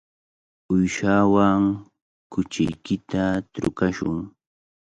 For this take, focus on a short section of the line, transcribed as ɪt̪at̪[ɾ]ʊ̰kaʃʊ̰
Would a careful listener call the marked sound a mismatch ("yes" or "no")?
no